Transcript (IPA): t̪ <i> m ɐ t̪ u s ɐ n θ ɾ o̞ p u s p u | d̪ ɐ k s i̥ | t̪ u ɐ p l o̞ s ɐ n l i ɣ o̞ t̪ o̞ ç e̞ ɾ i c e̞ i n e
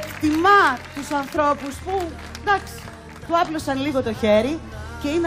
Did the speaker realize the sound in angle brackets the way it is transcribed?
yes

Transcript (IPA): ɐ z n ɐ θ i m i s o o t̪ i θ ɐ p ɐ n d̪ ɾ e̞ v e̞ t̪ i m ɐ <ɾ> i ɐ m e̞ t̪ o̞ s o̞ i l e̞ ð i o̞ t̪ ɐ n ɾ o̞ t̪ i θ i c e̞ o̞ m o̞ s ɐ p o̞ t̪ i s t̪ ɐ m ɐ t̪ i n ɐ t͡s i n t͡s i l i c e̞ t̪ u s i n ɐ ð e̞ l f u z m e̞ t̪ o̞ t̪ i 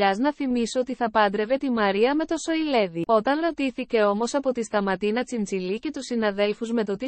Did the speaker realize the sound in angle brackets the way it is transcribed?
yes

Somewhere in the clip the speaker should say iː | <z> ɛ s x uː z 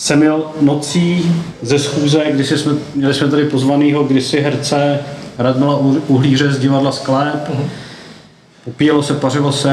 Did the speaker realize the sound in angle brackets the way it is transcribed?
yes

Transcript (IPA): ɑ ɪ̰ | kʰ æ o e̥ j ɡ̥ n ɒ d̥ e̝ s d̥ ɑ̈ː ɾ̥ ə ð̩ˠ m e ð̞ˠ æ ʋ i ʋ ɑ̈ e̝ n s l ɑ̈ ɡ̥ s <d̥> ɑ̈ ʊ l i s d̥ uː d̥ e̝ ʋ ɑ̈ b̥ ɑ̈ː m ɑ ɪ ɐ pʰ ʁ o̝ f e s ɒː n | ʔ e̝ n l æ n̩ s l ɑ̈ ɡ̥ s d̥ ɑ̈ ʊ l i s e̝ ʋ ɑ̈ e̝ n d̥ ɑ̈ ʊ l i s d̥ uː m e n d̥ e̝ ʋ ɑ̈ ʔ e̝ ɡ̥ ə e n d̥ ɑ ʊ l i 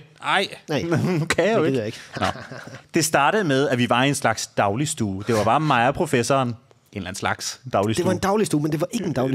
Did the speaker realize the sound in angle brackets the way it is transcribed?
yes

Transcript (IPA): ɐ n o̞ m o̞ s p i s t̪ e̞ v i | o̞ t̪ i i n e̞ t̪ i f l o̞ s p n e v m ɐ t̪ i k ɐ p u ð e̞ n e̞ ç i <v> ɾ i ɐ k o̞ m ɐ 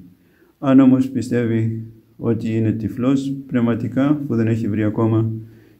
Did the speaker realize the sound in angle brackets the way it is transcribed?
yes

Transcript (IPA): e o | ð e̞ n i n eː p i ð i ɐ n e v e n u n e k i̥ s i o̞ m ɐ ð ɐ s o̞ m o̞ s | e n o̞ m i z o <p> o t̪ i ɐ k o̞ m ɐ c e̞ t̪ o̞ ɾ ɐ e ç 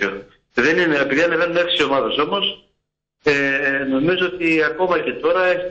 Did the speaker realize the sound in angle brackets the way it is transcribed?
no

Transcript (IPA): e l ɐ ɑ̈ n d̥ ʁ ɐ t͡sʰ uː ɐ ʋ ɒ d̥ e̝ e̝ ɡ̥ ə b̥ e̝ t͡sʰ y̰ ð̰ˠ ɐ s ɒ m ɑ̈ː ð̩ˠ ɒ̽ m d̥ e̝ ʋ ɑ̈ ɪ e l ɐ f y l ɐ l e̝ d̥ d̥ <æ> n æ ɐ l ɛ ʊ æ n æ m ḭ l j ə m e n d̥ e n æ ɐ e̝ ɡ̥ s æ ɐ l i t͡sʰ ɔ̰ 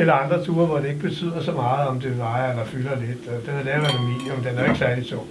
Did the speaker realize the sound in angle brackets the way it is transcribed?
no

